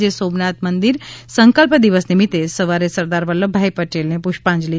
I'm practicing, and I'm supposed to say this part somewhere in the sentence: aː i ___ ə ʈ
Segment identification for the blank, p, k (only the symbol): p